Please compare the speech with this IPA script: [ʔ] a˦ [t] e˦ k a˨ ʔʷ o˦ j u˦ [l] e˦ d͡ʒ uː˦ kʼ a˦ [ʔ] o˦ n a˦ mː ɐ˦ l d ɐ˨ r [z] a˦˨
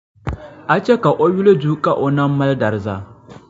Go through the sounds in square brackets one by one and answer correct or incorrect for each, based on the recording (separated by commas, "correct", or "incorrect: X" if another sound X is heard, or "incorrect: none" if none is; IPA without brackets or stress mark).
correct, incorrect: t͡ʃ, correct, correct, correct